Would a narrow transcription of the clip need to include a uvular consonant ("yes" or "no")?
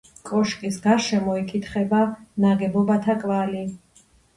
yes